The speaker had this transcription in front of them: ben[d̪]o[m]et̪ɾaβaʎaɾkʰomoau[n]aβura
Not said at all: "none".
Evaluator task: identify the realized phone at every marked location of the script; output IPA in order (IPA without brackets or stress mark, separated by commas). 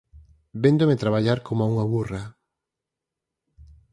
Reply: d̪, m, ŋ